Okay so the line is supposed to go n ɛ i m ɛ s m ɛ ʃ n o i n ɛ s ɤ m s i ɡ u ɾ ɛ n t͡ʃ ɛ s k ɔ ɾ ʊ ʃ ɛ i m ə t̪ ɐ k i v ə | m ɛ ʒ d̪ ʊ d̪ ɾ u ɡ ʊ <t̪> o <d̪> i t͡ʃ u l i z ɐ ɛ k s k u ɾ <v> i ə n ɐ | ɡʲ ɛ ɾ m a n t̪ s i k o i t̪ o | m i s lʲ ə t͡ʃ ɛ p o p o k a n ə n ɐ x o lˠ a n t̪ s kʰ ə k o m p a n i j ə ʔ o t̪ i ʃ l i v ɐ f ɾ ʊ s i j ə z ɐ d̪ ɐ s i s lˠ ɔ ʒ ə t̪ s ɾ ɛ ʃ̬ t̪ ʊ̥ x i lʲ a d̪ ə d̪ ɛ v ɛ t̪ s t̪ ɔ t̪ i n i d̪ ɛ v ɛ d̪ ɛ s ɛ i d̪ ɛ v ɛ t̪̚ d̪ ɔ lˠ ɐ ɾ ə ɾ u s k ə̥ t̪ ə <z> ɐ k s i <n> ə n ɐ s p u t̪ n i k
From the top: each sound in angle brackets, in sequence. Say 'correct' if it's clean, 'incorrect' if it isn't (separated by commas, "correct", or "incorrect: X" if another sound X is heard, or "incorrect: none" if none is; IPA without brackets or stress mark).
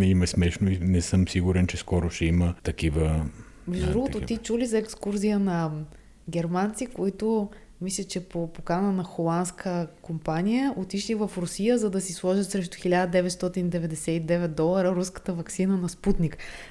correct, incorrect: t̪, incorrect: z, incorrect: v, correct